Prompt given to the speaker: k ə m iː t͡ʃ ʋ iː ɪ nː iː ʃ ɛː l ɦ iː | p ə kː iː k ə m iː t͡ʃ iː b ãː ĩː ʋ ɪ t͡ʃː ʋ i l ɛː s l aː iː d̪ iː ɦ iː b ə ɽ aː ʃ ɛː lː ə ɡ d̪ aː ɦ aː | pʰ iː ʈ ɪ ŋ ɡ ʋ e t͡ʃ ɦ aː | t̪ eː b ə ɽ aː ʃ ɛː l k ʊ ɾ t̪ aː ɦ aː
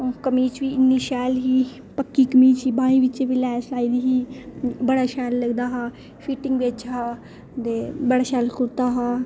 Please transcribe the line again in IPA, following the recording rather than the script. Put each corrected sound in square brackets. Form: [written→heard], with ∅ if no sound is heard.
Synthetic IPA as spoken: k ə m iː t͡ʃ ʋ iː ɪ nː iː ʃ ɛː l ɦ iː | p ə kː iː k ə m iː t͡ʃ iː b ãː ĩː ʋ ɪ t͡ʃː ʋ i l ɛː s l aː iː d̪ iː ɦ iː b ə ɽ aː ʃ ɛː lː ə ɡ d̪ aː ɦ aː | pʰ iː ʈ ɪ ŋ ɡ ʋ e t͡ʃ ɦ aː | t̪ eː b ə ɽ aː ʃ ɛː l k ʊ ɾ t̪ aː ɦ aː